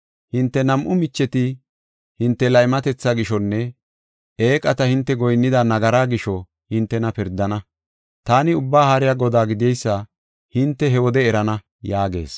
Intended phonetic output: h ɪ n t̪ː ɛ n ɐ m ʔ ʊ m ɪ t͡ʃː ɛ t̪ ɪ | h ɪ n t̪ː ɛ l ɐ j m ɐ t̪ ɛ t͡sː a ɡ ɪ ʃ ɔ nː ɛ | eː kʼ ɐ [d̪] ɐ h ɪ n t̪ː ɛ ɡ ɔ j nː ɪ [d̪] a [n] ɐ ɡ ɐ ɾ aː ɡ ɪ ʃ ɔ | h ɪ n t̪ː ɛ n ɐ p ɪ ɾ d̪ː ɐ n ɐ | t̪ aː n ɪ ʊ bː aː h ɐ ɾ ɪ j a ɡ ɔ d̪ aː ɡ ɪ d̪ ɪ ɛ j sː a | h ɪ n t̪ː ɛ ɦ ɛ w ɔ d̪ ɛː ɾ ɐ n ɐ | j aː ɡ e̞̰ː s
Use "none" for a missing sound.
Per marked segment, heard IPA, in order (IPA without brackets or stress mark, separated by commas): t̪, d̪, n